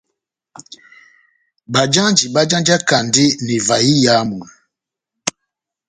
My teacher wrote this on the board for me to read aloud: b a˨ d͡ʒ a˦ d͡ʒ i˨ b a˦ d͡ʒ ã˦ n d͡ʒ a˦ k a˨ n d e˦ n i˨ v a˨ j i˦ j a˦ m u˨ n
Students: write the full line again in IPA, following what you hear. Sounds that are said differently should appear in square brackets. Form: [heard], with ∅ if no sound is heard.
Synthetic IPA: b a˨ d͡ʒ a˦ d͡ʒ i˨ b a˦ d͡ʒ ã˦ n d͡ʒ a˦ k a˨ n d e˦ n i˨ v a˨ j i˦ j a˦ m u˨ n

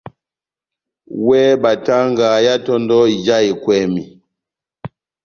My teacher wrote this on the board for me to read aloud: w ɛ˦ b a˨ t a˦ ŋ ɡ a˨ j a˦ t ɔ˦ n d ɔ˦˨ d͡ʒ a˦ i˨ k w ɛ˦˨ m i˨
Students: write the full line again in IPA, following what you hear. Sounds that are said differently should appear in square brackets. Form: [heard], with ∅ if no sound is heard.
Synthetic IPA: w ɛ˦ b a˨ t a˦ ŋ ɡ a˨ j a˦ t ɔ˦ n d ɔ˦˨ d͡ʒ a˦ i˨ k w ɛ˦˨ m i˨

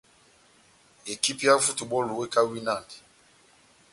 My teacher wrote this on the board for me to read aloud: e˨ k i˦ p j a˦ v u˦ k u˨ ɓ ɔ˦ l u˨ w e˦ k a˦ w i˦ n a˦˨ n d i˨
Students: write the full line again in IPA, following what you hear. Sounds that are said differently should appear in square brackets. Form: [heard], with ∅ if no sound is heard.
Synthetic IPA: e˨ k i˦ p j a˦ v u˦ [t] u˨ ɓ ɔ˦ l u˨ w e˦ k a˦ w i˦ n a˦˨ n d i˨

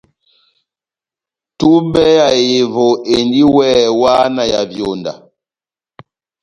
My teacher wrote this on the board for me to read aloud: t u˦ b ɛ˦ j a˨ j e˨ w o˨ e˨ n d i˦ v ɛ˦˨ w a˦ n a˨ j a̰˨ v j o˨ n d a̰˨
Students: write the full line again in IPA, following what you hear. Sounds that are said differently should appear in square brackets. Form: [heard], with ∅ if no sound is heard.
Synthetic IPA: t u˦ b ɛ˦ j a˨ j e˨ [v] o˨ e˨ n d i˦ [w] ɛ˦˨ w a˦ n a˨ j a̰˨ v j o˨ n d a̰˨

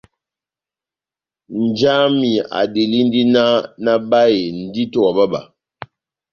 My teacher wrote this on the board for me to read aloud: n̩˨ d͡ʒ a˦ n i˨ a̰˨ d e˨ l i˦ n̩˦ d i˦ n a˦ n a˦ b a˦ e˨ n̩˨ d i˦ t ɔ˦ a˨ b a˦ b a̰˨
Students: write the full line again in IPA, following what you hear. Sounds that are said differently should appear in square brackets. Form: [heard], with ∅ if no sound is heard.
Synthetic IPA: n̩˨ d͡ʒ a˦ [m] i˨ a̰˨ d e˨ l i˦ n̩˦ d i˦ n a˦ n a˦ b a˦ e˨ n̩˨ d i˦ t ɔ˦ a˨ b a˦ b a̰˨

